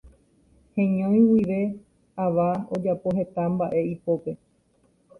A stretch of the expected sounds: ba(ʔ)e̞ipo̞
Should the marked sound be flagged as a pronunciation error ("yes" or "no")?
no